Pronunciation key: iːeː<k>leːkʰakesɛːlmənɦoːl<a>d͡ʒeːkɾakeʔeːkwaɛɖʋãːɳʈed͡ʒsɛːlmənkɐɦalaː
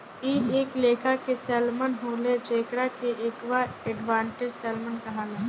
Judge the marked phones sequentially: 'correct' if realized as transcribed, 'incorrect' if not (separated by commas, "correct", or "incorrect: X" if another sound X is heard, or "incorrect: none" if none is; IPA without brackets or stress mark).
correct, incorrect: e